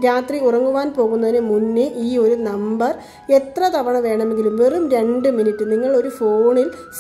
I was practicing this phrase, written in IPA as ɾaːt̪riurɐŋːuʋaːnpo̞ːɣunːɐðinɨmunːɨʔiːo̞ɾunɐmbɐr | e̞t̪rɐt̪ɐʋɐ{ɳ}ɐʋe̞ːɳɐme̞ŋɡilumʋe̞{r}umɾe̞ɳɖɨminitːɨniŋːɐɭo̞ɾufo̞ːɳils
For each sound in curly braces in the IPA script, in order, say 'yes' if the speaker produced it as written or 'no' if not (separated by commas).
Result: yes, yes